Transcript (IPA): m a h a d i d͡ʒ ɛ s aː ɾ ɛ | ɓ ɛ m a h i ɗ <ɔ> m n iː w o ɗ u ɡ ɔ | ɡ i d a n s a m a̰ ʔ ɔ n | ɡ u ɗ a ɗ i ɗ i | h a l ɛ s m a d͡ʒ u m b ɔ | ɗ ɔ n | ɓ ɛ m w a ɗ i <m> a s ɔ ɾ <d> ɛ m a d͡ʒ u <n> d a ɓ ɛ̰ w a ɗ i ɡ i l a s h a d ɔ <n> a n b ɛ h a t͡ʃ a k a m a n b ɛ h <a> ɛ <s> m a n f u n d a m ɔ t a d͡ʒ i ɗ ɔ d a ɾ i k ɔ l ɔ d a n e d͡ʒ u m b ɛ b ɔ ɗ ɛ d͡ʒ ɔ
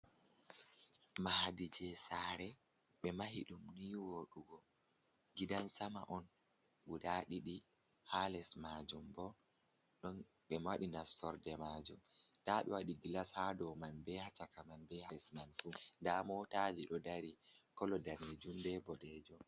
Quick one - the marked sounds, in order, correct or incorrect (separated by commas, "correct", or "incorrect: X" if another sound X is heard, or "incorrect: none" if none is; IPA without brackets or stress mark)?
incorrect: u, incorrect: n, correct, incorrect: m, incorrect: m, correct, correct